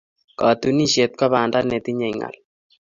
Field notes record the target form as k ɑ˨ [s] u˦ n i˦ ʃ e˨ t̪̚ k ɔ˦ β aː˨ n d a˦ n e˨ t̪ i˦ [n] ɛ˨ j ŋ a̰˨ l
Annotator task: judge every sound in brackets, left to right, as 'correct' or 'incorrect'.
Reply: incorrect: t, incorrect: ɲ

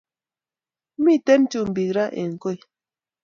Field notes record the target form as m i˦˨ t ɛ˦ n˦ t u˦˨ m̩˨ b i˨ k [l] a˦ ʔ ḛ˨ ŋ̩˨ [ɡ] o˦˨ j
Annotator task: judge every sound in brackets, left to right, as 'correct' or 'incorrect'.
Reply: incorrect: ɾ, incorrect: k

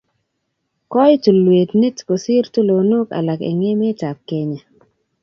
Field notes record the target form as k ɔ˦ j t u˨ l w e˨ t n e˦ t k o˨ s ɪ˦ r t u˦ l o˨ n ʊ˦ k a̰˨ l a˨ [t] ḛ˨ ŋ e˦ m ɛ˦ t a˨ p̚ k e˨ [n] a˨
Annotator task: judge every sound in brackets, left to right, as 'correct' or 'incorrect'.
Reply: incorrect: k, incorrect: ɲ

